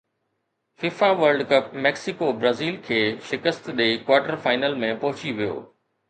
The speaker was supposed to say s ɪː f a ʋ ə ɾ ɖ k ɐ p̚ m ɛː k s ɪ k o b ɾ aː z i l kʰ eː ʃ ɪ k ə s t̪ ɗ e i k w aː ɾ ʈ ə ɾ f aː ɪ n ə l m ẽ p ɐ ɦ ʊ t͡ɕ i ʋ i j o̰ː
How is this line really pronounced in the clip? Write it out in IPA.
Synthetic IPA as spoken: f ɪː f a ʋ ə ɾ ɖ k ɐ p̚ m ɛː k s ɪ k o b ɾ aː z iː l kʰ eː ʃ ɪ k ə s t̪ ɗ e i k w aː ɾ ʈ ə ɾ f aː ɪ n ə l m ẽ p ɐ ɦ ʊ t͡ɕ i ʋ i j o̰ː